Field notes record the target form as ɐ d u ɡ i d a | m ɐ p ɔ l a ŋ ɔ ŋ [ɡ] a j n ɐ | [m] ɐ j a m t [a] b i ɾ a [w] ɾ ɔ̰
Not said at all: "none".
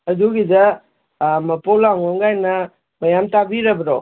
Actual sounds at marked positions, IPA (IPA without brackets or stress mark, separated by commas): ɡ, m, a, b